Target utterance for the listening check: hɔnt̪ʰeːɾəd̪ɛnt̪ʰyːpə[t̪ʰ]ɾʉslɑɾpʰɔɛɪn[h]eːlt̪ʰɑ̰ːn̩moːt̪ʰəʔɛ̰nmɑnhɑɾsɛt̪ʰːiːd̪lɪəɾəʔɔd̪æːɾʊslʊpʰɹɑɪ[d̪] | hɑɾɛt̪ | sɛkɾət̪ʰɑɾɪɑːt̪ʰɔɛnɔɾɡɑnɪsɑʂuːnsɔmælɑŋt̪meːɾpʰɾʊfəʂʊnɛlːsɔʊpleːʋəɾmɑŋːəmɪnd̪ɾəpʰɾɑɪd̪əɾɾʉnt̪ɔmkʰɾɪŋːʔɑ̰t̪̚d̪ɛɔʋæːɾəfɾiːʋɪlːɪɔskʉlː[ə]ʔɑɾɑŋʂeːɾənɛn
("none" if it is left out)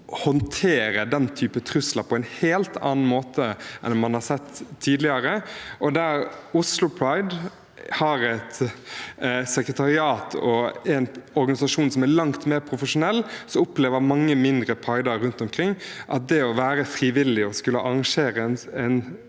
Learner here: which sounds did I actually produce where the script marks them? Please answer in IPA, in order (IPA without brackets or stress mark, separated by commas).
t̪ʰ, h, d̪, ə